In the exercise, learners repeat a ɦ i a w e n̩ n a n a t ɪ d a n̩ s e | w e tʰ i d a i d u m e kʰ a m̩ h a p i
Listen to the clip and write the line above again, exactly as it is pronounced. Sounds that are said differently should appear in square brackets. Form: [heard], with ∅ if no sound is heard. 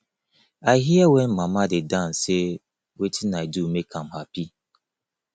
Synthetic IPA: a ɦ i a w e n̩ [m] a [m] a [d] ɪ d a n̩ s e | w e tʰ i [n] a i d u m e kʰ a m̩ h a p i

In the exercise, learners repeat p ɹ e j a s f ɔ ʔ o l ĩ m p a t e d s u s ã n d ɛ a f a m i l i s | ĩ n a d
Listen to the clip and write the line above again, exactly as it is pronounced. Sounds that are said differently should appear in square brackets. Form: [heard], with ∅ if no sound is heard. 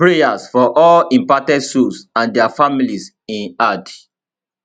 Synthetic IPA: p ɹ e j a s f ɔ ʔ [ɔ] l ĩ m p a t [ɛ] d s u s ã n d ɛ a f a m i l i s | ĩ n a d

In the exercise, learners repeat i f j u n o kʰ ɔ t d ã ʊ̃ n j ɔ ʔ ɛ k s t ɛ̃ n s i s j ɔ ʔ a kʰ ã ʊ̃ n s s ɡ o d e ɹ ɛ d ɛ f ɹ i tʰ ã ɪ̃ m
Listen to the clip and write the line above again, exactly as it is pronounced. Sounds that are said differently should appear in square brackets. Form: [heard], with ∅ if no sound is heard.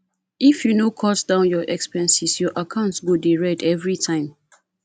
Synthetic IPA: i f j u n o kʰ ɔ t d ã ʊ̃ n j ɔ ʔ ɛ k s [p] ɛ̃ n s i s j ɔ ʔ a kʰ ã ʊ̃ n [t] s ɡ o d e ɹ ɛ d ɛ [v] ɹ i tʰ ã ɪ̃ m

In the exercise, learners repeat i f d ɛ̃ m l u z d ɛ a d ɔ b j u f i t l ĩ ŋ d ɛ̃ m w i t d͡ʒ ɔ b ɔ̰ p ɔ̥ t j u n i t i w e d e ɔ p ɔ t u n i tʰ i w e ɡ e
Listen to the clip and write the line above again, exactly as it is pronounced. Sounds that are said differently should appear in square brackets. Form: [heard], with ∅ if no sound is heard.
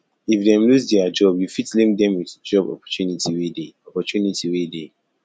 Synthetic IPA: i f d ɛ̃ m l u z d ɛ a [d͡ʒ] ɔ b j u f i t l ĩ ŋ d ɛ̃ m w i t d͡ʒ ɔ b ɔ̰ p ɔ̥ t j u n i t i w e d e ɔ p ɔ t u n i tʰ i w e [d] e

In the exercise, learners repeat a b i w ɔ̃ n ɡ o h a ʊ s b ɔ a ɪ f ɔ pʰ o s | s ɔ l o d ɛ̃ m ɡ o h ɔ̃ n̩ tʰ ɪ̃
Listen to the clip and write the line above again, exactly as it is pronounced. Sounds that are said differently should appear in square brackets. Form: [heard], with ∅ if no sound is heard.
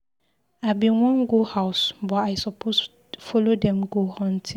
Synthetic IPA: a b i w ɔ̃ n ɡ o h a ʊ s b ɔ a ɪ [s] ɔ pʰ o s | [f] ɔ l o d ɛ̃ m ɡ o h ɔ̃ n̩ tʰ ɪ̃

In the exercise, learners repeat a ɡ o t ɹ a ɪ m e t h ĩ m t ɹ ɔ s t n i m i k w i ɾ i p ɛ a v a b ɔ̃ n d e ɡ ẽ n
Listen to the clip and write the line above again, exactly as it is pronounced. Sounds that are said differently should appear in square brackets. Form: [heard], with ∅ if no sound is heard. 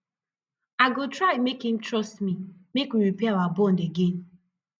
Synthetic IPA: a ɡ o t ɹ a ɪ m e [k] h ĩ m t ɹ ɔ s t [m] i m [e] k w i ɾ i p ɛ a [w] a b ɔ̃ n d e ɡ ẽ n

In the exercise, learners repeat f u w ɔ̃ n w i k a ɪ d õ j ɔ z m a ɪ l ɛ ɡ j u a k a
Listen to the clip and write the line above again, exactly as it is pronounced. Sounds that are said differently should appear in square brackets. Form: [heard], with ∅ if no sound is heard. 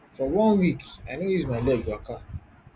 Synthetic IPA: f [ɔ] w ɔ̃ n w i k a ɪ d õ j [u] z m a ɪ l ɛ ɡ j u a k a

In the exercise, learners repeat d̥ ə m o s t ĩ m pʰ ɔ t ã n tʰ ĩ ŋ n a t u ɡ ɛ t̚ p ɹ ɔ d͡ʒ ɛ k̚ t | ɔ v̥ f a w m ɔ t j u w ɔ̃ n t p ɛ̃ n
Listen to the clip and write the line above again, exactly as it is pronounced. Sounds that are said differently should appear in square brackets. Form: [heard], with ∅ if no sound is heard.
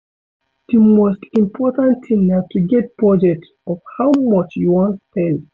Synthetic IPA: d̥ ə m o s t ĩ m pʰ ɔ t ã n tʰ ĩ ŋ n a t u ɡ ɛ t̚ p ɹ ɔ d͡ʒ ɛ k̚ t | ɔ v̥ [h] a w m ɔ [t͡ʃ] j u w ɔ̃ n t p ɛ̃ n

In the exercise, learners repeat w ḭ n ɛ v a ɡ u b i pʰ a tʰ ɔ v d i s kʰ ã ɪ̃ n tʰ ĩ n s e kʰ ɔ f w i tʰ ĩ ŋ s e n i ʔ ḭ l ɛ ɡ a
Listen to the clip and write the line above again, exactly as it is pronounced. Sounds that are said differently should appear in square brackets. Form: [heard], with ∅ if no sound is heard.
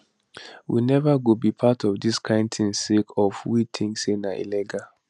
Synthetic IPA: w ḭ n ɛ v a ɡ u b i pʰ a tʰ ɔ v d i s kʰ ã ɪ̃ n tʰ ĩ n s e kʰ ɔ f w i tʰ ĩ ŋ s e n [a] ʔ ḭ l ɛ ɡ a

